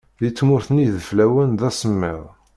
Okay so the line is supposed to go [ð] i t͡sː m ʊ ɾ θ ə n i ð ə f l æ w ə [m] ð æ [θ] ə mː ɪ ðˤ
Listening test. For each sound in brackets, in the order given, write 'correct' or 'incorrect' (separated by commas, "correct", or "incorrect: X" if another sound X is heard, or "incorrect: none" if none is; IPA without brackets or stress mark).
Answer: correct, incorrect: n, incorrect: s